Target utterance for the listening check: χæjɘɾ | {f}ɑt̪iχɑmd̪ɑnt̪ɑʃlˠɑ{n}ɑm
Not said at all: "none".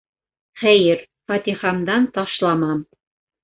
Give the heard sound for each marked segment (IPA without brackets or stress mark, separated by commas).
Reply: f, m